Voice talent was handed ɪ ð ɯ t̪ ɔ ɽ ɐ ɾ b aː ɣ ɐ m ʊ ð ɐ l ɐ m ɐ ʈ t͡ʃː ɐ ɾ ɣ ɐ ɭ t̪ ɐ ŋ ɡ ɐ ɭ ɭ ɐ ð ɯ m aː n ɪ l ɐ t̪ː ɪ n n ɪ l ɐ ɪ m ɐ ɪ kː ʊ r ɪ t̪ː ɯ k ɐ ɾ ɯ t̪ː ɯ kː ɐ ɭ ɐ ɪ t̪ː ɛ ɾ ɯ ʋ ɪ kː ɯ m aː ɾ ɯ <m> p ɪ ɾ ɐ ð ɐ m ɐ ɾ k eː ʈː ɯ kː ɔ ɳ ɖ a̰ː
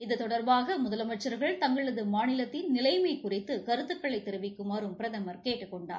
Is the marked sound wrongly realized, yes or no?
no